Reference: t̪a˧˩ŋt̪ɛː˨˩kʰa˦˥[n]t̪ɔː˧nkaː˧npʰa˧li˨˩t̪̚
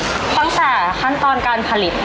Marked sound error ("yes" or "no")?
no